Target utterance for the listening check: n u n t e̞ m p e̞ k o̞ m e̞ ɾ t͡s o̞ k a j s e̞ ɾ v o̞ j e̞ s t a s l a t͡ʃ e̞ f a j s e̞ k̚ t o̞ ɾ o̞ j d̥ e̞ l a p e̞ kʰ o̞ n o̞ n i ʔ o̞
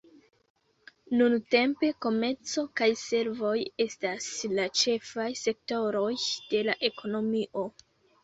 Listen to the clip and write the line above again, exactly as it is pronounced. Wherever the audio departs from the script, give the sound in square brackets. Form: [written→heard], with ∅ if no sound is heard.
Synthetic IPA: n u n t e̞ m p e̞ k o̞ m e̞ ɾ t͡s o̞ k a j s e̞ ɾ v o̞ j e̞ s t a s l a t͡ʃ e̞ f a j s e̞ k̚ t o̞ ɾ o̞ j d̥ e̞ l a [p→ʔ] e̞ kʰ o̞ n o̞ [n→m] i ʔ o̞